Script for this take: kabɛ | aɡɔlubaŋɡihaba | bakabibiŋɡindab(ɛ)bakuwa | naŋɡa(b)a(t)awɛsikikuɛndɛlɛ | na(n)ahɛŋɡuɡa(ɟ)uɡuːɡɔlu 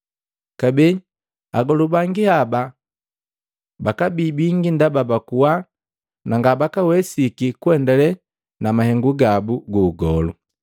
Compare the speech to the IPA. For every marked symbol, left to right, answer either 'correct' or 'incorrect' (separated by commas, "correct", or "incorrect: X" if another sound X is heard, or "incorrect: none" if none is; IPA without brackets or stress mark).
incorrect: a, correct, incorrect: k, incorrect: m, incorrect: b